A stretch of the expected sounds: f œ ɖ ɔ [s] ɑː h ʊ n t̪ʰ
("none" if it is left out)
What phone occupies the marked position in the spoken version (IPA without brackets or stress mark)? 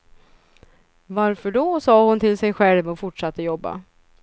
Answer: s